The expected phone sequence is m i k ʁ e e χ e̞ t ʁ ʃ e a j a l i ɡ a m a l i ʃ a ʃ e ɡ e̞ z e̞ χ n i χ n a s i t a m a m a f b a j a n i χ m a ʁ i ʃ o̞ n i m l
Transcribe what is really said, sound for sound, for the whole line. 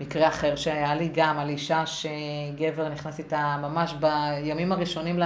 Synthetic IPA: m i k ʁ e a χ e̞ ʁ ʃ e a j a l i ɡ a m a l i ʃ a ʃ e ɡ e̞ v e̞ ʁ n i χ n a s i t a m a m a ʃ b a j a m i m a ʁ i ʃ o̞ n i m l